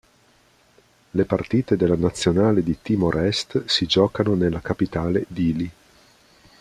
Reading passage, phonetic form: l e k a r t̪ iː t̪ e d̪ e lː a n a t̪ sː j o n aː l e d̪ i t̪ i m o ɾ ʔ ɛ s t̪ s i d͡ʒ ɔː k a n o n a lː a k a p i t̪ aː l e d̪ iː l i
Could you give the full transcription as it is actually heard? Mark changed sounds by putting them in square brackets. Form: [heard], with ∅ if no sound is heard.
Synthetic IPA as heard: l e [p] a r t̪ iː t̪ e d̪ e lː a n a t̪ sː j o n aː l e d̪ i t̪ i m o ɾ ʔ ɛ s t̪ s i d͡ʒ ɔː k a n o n [e] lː a k a p i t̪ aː l e d̪ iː l i